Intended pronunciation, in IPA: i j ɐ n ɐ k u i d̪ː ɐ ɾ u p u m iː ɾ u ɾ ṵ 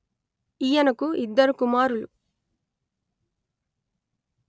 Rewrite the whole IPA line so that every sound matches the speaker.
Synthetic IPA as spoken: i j ɐ n ɐ k u i d̪ː ɐ ɾ u k u m aː ɾ u l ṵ